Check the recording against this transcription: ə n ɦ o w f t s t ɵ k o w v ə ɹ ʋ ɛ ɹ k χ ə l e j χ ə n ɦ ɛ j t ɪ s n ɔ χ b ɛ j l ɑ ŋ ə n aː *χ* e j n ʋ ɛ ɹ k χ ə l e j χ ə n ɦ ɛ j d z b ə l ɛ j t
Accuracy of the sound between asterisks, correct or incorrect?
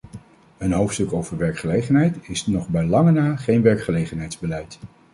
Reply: correct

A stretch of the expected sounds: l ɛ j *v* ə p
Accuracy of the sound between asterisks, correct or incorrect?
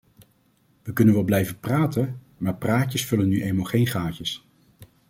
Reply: correct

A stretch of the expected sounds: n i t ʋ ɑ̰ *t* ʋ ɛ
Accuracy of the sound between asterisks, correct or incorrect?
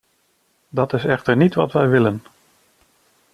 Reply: correct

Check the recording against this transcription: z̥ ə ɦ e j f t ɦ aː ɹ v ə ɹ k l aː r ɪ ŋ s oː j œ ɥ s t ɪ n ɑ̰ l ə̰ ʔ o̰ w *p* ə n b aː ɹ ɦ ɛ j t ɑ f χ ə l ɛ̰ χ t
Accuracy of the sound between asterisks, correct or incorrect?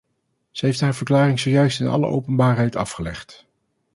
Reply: correct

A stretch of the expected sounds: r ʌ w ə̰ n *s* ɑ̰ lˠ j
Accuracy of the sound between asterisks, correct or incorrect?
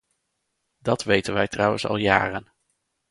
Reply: correct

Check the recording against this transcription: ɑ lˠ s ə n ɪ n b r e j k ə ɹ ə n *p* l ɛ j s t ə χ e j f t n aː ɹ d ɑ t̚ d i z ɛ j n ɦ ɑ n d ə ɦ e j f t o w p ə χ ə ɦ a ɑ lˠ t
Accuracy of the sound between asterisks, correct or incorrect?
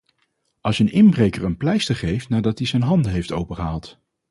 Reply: correct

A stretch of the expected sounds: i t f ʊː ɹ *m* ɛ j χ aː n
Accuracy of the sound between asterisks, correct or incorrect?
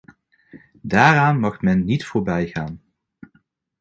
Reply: incorrect: b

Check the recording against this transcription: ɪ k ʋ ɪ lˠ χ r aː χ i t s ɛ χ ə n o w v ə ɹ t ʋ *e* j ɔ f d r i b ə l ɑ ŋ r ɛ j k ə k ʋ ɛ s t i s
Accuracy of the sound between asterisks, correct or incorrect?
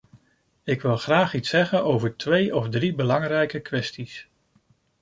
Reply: correct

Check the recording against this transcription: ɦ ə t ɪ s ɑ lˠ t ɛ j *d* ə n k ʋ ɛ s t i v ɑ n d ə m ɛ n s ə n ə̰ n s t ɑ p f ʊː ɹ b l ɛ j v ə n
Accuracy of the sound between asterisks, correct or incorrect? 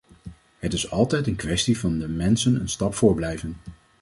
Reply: incorrect: t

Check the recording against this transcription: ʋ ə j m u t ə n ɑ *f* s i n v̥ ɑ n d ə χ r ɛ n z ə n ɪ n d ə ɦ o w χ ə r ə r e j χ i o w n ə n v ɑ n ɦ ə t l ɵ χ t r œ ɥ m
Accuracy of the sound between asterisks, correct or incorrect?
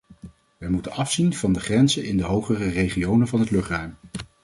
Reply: correct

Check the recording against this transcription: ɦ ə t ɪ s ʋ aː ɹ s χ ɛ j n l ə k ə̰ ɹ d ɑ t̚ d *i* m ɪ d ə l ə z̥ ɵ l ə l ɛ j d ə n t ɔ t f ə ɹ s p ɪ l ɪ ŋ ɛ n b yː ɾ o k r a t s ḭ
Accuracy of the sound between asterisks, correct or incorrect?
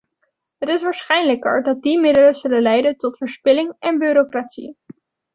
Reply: correct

